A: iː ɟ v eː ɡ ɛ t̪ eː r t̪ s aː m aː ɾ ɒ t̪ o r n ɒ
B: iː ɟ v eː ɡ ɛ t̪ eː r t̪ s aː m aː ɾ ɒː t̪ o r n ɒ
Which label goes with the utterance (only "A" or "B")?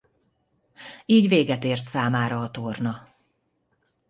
B